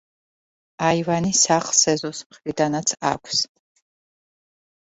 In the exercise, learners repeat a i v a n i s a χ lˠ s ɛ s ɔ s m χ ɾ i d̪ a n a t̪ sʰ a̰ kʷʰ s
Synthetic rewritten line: a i v a n i s a χ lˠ s ɛ z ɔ s m χ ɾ i d̪ a n a t̪ sʰ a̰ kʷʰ s